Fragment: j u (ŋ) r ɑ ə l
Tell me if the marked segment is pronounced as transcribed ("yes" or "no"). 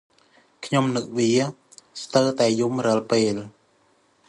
no